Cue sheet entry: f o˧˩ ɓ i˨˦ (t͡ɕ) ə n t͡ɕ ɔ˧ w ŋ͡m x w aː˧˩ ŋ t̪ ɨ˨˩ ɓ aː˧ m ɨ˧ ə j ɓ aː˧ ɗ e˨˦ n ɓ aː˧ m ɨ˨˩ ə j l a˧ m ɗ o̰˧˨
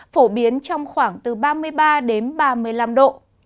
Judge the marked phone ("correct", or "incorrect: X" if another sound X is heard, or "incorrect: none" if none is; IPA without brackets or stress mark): incorrect: none